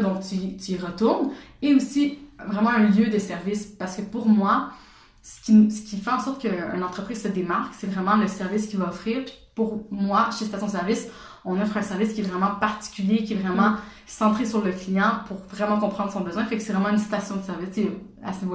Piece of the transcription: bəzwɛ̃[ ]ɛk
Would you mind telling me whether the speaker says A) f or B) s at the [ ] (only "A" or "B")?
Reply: A